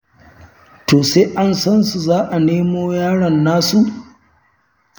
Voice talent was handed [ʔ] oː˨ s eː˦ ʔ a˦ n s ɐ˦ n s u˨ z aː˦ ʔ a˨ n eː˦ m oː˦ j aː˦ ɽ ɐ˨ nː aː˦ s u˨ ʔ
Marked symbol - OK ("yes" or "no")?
no